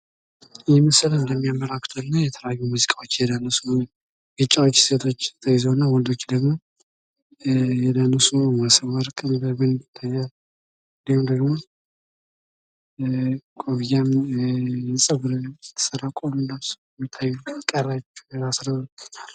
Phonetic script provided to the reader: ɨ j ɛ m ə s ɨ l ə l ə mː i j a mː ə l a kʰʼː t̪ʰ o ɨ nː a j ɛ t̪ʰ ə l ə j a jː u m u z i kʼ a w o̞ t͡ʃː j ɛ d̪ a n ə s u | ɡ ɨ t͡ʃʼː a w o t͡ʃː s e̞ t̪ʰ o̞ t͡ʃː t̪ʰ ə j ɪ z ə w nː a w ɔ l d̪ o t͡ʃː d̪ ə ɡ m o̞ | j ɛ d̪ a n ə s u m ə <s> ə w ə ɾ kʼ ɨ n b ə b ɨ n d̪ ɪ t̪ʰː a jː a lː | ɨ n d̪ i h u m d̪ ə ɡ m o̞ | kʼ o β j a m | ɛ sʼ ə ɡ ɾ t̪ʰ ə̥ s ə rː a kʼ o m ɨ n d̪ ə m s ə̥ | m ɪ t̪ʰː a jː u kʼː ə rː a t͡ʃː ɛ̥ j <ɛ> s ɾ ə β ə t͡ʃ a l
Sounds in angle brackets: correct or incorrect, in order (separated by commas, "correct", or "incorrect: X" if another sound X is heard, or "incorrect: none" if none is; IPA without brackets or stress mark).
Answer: correct, incorrect: a